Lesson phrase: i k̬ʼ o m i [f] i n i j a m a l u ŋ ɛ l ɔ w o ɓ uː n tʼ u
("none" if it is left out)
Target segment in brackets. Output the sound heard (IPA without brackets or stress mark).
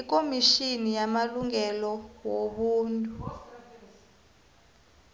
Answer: ʃ